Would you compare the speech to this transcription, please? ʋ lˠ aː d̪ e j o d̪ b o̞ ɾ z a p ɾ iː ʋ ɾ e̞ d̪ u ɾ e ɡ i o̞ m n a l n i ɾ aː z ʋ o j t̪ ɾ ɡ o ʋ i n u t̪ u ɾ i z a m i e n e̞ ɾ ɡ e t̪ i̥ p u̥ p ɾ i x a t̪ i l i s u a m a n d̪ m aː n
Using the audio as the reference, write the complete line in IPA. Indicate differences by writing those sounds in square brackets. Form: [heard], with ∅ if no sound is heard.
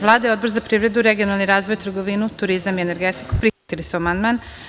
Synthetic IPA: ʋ lˠ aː d̪ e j o d̪ b o̞ ɾ z a p ɾ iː ʋ ɾ e̞ d̪ u ɾ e ɡ i o̞ [∅] n a l n i ɾ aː z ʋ o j t̪ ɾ ɡ o ʋ i n u t̪ u ɾ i z a m i e n e̞ ɾ ɡ e t̪ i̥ [k] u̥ p ɾ i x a t̪ i l i s u a m a n d̪ m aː n